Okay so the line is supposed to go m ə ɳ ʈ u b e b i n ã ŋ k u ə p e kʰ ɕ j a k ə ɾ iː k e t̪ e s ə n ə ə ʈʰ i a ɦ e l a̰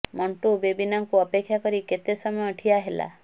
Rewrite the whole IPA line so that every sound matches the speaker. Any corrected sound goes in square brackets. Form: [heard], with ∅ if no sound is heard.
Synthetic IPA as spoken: m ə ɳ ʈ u b e b i n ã ŋ k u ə p e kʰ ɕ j a k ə ɾ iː k e t̪ e s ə [m] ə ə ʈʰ i a ɦ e l a̰